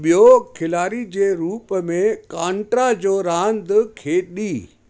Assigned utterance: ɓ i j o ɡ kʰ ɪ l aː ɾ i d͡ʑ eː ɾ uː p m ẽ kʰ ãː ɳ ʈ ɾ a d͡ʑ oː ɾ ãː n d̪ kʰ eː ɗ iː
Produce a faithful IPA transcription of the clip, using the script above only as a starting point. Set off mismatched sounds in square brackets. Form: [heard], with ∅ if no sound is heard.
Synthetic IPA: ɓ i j o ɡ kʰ ɪ l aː ɾ i d͡ʑ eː ɾ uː p m ẽ [k] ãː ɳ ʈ ɾ a d͡ʑ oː ɾ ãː n d̪ kʰ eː ɗ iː

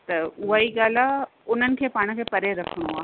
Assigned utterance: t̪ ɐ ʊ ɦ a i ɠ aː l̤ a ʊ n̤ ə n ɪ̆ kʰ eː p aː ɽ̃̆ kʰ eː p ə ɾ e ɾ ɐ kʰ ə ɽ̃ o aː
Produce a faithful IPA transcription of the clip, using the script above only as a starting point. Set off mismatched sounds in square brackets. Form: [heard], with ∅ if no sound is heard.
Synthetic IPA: t̪ ɐ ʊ ɦ a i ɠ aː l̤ a ʊ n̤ ə n ɪ̆ kʰ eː p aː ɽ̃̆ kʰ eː p [ɐ] ɾ e ɾ ɐ kʰ ə ɽ̃ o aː

